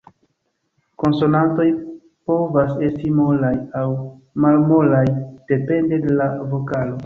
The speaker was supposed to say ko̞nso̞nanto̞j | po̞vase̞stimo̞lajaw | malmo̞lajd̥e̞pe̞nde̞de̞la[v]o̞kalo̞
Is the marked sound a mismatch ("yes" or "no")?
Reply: no